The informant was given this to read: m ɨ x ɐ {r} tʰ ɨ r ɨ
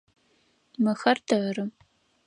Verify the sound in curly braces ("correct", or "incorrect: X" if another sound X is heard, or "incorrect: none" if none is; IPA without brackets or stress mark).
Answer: correct